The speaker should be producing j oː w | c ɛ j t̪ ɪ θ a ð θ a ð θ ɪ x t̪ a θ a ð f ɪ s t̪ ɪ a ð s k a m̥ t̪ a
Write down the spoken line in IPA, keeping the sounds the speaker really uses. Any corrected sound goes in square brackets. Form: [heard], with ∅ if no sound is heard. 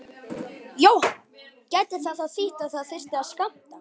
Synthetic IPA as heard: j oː w | c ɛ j t̪ ɪ θ a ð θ a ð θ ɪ [h] t̪ a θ a ð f ɪ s t̪ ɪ a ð s k a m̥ t̪ a